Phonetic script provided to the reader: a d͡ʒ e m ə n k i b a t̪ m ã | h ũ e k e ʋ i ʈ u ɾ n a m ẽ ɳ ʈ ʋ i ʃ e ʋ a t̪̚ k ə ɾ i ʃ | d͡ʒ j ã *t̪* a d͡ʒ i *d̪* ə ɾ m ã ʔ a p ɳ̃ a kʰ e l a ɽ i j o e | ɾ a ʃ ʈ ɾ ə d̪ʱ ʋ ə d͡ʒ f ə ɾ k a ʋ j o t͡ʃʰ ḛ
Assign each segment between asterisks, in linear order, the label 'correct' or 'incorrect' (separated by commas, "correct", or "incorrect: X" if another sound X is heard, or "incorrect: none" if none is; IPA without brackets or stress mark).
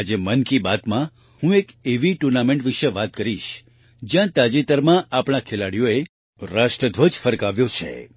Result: correct, incorrect: t̪